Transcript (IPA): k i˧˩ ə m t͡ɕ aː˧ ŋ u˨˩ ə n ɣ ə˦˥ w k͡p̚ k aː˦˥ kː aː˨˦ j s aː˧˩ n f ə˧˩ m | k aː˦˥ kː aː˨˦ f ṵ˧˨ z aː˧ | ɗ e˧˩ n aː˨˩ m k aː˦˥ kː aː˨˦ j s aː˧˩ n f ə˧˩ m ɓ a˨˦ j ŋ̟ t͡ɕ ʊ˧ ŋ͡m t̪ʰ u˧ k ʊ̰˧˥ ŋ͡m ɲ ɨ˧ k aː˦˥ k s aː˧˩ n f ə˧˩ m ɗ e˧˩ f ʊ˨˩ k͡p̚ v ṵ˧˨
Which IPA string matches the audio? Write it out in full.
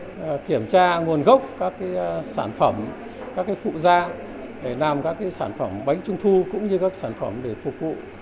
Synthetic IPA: k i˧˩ ə m t͡ɕ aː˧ ŋ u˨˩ ə n ɣ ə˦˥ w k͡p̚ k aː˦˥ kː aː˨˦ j s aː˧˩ n f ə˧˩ m | k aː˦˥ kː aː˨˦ f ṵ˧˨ z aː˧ | ɗ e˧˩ n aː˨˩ m k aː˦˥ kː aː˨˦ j s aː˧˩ n f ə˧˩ m ɓ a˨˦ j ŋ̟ t͡ɕ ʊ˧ ŋ͡m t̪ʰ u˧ k ʊ̰˧˥ ŋ͡m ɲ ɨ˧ k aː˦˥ k s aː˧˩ n f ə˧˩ m ɗ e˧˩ f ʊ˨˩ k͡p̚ v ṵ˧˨

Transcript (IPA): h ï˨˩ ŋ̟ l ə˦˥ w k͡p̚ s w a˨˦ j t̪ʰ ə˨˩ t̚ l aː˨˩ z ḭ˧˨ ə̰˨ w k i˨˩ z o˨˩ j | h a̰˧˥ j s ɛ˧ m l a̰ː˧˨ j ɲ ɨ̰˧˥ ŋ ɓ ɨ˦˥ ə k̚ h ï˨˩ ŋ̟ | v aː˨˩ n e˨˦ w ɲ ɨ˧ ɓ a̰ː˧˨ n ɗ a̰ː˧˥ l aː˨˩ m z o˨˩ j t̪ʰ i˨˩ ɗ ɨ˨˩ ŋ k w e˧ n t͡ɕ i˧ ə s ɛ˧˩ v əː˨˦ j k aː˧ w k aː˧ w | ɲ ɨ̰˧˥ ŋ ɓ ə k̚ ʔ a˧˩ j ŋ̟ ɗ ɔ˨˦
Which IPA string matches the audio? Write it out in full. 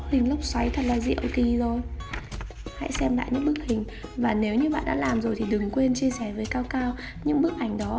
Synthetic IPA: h ï˨˩ ŋ̟ l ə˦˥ w k͡p̚ s w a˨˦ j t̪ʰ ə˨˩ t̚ l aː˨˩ z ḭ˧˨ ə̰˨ w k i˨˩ z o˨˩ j | h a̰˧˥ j s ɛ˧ m l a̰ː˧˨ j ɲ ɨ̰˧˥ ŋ ɓ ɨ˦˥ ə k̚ h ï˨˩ ŋ̟ | v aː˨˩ n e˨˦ w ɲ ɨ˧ ɓ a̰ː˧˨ n ɗ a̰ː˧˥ l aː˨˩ m z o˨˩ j t̪ʰ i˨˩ ɗ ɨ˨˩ ŋ k w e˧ n t͡ɕ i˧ ə s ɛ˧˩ v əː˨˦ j k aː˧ w k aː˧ w | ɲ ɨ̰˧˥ ŋ ɓ ə k̚ ʔ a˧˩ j ŋ̟ ɗ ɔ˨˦

